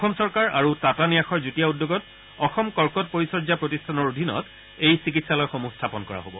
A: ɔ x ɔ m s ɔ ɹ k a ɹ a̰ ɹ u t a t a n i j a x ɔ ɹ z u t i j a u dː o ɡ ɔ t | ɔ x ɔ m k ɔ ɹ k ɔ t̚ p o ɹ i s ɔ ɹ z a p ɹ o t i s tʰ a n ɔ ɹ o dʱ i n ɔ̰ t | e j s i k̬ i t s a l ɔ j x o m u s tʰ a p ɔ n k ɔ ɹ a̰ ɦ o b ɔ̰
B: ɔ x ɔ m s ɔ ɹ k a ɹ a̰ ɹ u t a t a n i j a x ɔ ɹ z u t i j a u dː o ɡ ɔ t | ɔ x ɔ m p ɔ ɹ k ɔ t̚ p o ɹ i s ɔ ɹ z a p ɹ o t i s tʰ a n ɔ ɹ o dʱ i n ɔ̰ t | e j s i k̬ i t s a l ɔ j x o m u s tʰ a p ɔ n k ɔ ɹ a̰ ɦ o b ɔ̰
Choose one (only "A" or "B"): A